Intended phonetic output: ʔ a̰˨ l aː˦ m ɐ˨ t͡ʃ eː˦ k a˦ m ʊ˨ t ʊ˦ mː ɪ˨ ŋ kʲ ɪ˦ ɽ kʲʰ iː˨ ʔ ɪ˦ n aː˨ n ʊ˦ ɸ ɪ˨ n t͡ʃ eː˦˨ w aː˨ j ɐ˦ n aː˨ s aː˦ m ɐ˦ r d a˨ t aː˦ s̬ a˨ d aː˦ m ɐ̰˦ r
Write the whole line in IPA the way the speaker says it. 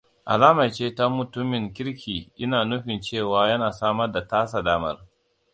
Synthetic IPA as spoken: ʔ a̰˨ l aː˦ m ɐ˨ t͡ʃ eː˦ t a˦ m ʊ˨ t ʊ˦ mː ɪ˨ ŋ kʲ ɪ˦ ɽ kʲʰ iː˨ ʔ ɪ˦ n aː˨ n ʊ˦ ɸ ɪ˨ n t͡ʃ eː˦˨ w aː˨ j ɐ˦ n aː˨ s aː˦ m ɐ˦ r d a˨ t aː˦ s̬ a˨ d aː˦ m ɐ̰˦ r